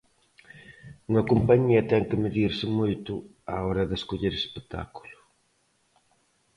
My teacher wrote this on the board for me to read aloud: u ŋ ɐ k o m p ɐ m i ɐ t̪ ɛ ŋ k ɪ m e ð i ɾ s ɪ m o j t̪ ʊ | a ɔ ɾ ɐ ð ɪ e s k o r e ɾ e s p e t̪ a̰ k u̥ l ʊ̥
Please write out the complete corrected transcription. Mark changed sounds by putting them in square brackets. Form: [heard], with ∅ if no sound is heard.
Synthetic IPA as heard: u ŋ ɐ k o m p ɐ [ɲ] i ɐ t̪ ɛ ŋ k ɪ m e ð i ɾ s ɪ m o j t̪ ʊ | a ɔ ɾ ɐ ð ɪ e s k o [ʎ] e ɾ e s p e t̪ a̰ k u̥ l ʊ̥